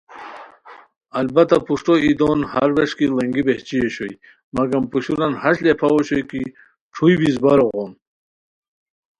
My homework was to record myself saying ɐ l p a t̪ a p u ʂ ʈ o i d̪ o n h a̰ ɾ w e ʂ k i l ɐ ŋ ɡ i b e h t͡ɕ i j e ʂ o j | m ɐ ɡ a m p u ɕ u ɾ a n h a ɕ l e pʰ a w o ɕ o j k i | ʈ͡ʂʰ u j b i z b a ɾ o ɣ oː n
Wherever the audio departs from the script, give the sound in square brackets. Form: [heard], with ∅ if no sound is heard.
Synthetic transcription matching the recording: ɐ l [b] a t̪ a p u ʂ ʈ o i d̪ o n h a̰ ɾ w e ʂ k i l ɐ ŋ ɡ i b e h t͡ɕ i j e [ɕ] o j | m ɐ ɡ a m p u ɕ u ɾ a n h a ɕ l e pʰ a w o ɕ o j k i | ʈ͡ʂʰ u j b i z b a ɾ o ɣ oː n